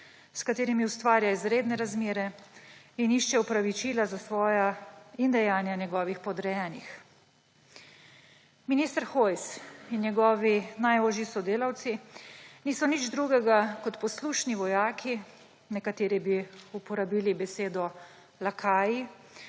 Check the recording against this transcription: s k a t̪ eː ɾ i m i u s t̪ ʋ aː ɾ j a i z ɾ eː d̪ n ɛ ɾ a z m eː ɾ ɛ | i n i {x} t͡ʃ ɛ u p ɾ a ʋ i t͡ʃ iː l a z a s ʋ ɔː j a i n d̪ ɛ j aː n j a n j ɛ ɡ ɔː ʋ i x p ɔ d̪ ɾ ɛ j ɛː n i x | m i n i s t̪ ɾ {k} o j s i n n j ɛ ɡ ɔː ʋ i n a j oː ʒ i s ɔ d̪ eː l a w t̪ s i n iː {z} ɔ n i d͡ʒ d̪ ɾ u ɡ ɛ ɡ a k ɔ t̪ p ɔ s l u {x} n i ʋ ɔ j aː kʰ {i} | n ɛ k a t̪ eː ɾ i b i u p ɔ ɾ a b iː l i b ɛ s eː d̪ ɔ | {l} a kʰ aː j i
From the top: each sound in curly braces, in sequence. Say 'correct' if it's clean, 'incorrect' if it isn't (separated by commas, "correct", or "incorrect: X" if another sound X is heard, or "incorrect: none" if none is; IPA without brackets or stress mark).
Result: incorrect: ʃ, incorrect: x, incorrect: s, incorrect: ʃ, correct, correct